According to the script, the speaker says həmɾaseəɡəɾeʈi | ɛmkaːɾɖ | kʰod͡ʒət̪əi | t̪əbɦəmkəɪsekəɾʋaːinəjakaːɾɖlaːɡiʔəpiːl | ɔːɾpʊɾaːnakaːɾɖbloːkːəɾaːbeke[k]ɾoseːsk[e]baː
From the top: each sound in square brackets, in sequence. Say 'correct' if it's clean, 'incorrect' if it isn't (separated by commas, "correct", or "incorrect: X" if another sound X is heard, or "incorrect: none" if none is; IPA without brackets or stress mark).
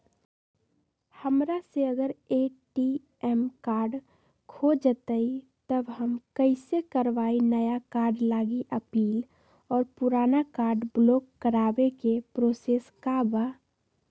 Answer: incorrect: p, incorrect: a